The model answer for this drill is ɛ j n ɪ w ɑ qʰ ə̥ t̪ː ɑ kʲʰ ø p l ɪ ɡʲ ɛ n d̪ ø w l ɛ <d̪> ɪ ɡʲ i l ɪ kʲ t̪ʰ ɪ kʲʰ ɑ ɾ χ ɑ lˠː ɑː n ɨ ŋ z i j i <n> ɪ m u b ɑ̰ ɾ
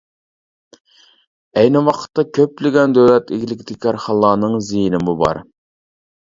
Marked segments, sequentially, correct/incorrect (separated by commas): incorrect, correct